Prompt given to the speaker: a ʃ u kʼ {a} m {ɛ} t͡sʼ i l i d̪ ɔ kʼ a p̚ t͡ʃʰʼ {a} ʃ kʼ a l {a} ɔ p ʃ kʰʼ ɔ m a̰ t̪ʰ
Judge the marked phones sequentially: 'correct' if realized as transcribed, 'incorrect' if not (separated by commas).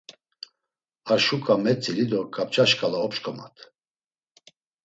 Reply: correct, correct, correct, correct